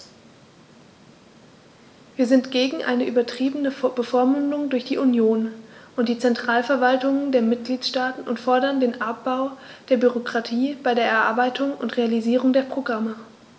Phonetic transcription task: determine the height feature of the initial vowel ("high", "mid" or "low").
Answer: high